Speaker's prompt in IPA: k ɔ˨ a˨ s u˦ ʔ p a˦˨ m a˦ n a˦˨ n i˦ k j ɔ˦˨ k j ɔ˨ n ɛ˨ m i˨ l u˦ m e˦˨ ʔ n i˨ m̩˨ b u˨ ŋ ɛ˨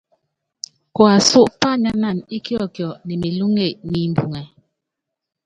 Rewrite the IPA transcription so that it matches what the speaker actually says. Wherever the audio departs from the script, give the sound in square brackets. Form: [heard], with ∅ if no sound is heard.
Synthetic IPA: k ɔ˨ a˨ s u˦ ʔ p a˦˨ [ɲ] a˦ n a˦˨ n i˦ k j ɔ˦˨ k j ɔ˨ n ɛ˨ m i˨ l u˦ [ŋ] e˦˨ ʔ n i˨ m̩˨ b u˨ ŋ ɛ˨